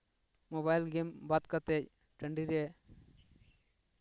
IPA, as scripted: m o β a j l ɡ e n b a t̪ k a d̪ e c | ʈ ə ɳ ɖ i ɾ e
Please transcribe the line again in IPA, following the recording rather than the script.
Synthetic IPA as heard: m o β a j l ɡ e m b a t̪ k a t̪ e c | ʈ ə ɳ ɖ i ɾ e